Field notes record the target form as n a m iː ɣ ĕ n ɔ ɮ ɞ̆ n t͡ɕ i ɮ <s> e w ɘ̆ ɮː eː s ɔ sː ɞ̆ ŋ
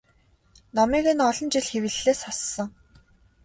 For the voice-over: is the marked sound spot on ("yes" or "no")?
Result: no